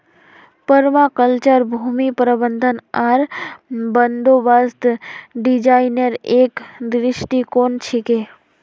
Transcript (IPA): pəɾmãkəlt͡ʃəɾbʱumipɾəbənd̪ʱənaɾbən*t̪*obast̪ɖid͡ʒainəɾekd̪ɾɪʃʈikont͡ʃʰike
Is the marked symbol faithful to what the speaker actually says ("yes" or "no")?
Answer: no